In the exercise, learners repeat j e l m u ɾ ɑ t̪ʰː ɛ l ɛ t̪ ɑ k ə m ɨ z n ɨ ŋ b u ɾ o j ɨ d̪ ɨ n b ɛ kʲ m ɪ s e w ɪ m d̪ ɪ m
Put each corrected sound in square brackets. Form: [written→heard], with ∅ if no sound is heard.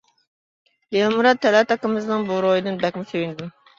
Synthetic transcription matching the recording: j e l m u ɾ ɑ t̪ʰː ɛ l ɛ t̪ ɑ k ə m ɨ z n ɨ ŋ b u ɾ o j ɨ d̪ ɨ n b ɛ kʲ m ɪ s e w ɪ [m→n] d̪ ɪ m

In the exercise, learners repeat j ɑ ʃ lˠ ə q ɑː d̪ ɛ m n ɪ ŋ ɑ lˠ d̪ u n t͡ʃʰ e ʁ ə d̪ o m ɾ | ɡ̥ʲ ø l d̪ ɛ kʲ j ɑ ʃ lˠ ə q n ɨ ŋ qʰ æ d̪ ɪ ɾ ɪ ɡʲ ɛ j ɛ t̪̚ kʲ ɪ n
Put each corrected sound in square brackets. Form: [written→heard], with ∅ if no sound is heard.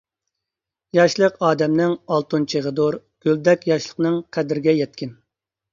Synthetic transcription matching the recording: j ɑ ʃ lˠ ə q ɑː d̪ ɛ m n ɪ ŋ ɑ lˠ [d̪→t̪] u n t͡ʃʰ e ʁ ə d̪ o [m→∅] ɾ | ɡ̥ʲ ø l d̪ ɛ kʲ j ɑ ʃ lˠ ə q n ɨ ŋ qʰ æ d̪ ɪ ɾ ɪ ɡʲ ɛ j ɛ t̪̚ kʲ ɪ n

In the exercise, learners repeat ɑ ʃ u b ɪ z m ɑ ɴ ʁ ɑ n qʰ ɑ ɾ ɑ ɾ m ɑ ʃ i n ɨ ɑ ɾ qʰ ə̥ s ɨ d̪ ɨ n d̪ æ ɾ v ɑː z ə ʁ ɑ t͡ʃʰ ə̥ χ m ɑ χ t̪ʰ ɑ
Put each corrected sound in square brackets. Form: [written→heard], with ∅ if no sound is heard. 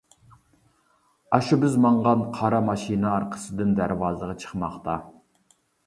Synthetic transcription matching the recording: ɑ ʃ u b ɪ z m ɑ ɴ ʁ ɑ n qʰ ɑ ɾ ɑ [ɾ→∅] m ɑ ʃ i n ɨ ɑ ɾ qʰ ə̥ s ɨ d̪ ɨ n d̪ æ ɾ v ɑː z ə ʁ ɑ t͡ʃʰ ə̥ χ m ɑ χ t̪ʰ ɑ

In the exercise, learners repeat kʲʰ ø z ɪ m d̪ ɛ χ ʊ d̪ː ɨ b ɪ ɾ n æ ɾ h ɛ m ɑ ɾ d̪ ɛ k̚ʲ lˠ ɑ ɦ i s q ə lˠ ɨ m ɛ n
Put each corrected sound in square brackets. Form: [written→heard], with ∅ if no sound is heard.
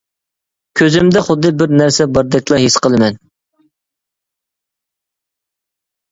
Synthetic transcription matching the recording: kʲʰ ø z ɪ m d̪ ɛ χ ʊ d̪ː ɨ b ɪ ɾ n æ ɾ [h→s] ɛ [m→b] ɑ ɾ d̪ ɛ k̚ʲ lˠ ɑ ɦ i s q ə lˠ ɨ m ɛ n

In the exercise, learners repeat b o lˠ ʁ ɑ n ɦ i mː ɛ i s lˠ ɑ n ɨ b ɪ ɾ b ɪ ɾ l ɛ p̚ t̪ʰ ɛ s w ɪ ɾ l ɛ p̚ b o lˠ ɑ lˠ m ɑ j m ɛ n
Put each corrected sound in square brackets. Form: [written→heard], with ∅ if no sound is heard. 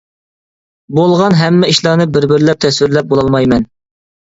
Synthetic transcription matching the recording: b o lˠ ʁ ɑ n ɦ [i→ɛ] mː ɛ i [s→ʃ] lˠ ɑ n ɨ b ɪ ɾ b ɪ ɾ l ɛ p̚ t̪ʰ ɛ s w ɪ ɾ l ɛ p̚ b o lˠ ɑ lˠ m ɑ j m ɛ n

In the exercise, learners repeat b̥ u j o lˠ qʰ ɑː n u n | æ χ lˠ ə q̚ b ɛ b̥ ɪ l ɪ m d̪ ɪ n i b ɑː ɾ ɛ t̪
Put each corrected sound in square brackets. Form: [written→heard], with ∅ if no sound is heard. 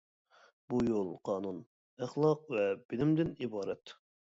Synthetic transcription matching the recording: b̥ u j o lˠ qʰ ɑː n u n | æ χ lˠ [ə→ɑ] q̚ [b→v] ɛ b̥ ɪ l ɪ m d̪ ɪ n i b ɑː ɾ ɛ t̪

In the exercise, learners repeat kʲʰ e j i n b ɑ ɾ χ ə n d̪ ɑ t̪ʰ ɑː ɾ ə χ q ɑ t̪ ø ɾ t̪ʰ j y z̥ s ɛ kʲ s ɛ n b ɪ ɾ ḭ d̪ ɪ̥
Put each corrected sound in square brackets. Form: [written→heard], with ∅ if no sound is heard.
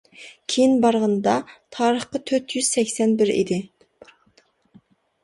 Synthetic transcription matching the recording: kʲʰ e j i n b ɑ ɾ [χ→ʁ] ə n d̪ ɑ t̪ʰ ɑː ɾ ə χ q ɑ [t̪→t̪ʰ] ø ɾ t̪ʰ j y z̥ s ɛ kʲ s ɛ n b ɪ ɾ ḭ d̪ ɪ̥

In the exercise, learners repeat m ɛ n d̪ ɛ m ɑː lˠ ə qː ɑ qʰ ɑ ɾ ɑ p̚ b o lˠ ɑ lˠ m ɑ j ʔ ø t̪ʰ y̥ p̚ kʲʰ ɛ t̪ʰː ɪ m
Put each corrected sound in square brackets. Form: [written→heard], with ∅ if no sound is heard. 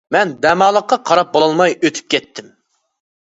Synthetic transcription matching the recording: m ɛ n d̪ ɛ m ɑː lˠ ə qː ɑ qʰ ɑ ɾ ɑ p̚ b o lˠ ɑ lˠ m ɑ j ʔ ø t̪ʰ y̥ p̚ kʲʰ ɛ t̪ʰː ɪ m

